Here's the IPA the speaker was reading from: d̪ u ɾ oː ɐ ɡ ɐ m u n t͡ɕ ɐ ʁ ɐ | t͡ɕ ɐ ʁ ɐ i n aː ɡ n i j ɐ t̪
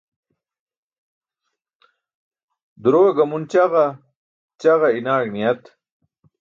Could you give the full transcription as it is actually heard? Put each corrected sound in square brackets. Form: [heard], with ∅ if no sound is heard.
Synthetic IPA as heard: d̪ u ɾ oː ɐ ɡ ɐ m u n t͡ɕ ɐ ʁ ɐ | t͡ɕ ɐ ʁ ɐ i n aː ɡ n i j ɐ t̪